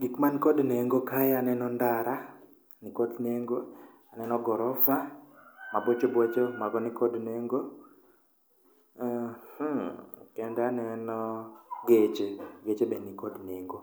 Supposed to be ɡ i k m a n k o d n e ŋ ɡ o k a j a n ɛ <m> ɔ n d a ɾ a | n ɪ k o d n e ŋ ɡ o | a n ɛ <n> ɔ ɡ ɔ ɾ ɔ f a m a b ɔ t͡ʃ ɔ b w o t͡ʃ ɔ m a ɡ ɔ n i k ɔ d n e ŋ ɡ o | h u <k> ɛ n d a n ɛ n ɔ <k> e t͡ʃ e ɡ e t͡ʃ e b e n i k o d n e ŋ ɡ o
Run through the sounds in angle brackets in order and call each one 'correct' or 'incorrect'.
incorrect: n, correct, correct, incorrect: ɡ

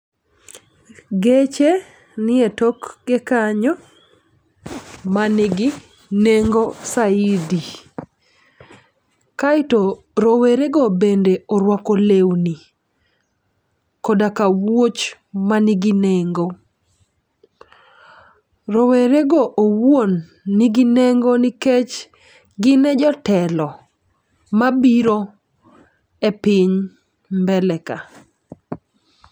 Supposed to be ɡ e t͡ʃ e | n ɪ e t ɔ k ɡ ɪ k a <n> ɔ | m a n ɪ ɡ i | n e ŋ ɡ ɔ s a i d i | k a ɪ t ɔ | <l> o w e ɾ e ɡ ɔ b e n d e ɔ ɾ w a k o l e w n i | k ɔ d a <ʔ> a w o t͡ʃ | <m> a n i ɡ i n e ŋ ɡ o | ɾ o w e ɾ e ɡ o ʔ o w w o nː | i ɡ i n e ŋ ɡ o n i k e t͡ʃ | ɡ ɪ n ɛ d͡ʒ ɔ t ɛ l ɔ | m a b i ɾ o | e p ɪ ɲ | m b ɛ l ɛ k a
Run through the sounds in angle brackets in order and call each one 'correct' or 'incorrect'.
incorrect: ɲ, incorrect: ɾ, incorrect: k, correct

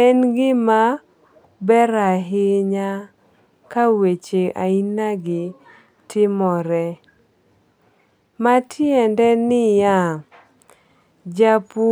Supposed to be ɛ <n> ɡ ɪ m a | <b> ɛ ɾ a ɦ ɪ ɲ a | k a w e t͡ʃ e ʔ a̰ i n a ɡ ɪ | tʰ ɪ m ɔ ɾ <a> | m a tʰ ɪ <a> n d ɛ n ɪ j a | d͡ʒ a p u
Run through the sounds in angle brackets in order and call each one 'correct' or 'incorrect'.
correct, correct, incorrect: ɛ, incorrect: ɛ

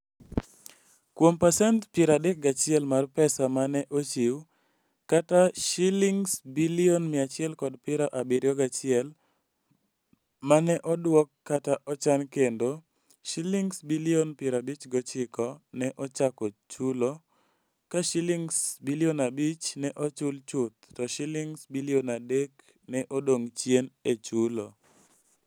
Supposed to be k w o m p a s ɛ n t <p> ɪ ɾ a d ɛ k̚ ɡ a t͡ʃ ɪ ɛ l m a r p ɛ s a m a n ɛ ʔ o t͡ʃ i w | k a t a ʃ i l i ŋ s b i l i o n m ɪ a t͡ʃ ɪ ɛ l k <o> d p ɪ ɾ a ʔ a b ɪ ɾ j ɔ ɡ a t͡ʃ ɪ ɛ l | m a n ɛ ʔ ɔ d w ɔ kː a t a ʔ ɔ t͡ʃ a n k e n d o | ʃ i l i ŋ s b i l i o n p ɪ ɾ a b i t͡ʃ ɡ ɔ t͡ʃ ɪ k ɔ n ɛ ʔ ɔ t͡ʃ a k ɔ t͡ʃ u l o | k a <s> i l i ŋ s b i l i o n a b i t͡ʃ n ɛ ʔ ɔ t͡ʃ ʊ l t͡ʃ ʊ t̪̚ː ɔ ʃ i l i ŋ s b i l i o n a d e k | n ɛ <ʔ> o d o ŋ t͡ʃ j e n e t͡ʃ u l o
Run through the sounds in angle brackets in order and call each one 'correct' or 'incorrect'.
correct, incorrect: ɔ, incorrect: ʃ, correct

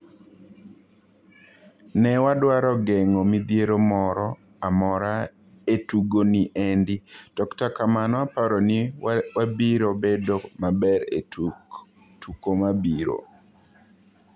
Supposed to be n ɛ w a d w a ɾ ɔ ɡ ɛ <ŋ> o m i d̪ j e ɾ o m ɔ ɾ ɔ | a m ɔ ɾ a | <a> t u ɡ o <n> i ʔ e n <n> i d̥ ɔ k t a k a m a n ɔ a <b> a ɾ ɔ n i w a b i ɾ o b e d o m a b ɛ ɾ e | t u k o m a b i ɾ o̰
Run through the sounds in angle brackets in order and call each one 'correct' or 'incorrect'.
correct, incorrect: e, correct, incorrect: d, incorrect: p

